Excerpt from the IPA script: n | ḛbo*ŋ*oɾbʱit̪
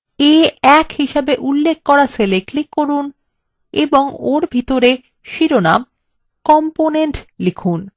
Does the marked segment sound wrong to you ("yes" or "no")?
no